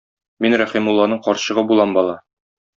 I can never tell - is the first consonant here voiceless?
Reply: no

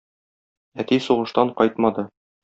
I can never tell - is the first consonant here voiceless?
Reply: yes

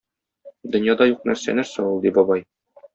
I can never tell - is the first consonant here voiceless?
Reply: no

